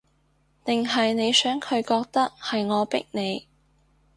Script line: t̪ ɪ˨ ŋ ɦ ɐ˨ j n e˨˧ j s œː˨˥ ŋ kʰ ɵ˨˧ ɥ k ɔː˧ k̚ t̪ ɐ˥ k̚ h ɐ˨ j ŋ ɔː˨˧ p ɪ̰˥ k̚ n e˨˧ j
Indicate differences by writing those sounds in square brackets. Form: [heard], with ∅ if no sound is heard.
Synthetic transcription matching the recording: t̪ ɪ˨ ŋ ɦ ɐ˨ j n e˨˧ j s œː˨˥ ŋ kʰ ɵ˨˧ ɥ k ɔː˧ k̚ t̪ ɐ˥ k̚ h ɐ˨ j ŋ ɔː˨˧ p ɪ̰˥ k̚ n e˨˧ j